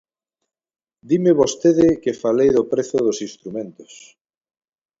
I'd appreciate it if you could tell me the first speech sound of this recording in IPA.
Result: d̪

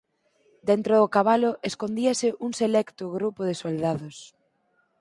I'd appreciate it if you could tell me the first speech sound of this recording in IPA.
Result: d̪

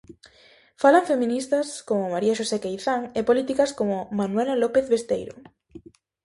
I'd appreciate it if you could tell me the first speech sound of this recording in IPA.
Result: f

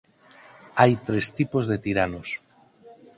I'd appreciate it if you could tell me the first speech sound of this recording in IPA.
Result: a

